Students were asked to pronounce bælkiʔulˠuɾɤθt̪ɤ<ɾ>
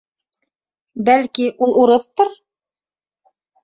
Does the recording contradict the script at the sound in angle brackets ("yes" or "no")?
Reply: no